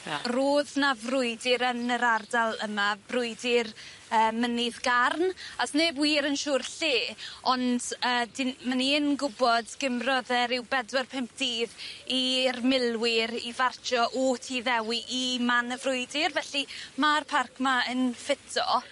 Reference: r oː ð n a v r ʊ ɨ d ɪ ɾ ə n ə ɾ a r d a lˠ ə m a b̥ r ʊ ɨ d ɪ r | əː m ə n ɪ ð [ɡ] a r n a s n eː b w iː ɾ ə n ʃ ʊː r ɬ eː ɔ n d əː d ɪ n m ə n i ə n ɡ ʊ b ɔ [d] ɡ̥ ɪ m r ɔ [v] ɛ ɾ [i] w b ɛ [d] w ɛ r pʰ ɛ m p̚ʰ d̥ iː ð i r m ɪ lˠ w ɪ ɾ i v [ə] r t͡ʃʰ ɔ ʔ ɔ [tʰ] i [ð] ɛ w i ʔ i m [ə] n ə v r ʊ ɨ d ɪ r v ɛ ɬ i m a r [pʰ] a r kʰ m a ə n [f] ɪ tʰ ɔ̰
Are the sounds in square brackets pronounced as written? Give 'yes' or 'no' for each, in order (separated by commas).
yes, yes, no, no, yes, no, yes, yes, no, yes, yes